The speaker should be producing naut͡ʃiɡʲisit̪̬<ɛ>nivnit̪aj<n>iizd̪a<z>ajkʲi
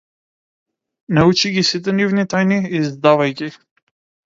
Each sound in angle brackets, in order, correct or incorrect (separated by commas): correct, correct, incorrect